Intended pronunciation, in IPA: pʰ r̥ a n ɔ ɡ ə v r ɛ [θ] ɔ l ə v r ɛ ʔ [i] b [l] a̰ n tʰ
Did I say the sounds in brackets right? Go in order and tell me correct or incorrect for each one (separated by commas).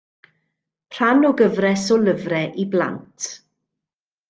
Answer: incorrect, correct, correct